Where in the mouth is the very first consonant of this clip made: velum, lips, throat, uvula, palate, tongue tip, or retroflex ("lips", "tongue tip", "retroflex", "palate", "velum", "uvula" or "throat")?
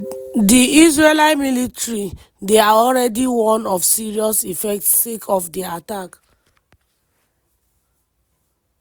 tongue tip